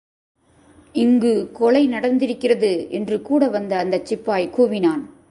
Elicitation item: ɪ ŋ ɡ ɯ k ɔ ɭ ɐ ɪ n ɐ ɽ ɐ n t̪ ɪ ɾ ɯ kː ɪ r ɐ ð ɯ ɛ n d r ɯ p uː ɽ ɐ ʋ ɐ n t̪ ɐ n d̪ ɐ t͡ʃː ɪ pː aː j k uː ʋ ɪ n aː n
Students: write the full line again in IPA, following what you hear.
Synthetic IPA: ɪ ŋ ɡ ɯ k ɔ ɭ ɐ ɪ n ɐ ɽ ɐ n d̪ ɪ ɾ ɯ kː ɪ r ɐ ð ɯ ɛ n d r ɯ k uː ɽ ɐ ʋ ɐ n d̪ ɐ n d̪ ɐ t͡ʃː ɪ pː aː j k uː ʋ ɪ n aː n